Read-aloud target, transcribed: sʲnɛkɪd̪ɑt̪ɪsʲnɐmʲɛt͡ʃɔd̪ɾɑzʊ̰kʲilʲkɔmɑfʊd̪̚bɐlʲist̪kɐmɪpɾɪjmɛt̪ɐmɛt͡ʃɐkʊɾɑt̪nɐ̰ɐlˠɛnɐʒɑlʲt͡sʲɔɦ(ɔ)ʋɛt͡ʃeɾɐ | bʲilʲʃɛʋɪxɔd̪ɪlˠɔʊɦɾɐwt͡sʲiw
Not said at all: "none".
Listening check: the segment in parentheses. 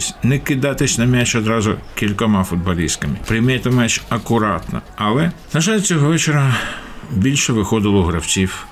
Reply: ɔ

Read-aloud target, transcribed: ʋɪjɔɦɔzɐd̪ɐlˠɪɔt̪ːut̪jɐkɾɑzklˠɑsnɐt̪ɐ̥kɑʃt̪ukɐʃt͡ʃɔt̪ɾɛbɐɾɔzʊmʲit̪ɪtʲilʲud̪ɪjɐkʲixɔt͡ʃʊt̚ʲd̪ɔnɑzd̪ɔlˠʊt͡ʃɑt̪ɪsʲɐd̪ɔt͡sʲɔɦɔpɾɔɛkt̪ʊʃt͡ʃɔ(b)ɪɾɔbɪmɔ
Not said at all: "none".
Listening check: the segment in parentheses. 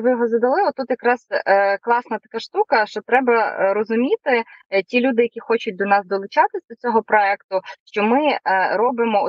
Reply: m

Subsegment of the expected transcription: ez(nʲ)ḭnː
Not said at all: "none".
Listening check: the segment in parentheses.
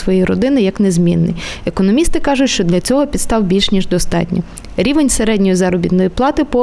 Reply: mʲ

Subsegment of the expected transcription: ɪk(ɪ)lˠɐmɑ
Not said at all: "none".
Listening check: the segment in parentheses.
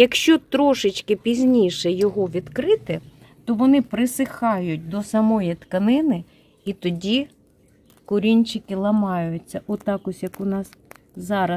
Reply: ɪ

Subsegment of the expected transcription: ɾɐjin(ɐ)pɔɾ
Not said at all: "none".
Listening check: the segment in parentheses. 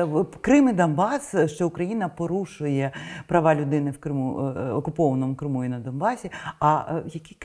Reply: ɐ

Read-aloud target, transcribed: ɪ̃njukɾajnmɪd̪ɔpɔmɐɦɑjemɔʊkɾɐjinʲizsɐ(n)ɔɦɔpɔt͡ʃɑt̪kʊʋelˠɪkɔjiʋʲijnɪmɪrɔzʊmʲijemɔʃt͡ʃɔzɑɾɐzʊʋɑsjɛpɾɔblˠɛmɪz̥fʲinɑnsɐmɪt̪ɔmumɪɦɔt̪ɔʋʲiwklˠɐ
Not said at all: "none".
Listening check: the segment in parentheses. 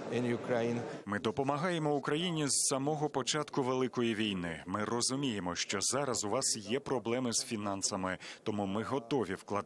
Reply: m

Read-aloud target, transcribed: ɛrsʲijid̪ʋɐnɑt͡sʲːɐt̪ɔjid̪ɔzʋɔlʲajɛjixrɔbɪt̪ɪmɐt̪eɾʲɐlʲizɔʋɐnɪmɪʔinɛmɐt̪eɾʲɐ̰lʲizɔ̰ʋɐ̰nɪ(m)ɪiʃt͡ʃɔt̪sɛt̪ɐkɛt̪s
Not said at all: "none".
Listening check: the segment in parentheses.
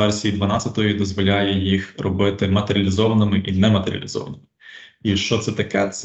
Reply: m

